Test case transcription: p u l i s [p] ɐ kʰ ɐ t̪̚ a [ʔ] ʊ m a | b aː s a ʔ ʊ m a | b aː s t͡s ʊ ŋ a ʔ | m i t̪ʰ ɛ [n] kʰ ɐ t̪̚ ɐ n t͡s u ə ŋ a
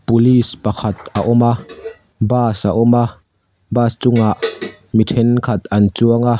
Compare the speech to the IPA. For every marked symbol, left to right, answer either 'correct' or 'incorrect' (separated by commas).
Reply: correct, correct, correct